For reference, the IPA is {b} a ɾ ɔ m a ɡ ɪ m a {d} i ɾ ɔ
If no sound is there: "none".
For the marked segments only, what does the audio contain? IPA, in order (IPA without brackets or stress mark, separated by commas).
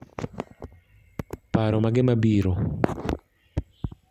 p, b